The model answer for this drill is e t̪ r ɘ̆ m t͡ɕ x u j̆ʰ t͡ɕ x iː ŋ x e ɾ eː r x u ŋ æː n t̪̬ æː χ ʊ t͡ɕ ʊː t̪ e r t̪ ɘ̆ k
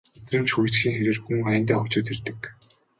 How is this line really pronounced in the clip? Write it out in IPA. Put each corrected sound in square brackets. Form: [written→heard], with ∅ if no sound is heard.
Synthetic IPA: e t̪ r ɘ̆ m t͡ɕ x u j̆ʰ t͡ɕ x iː ŋ x e ɾ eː r x u ŋ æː n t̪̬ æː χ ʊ t͡ɕ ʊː t̪ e r t̪ ɘ̆ k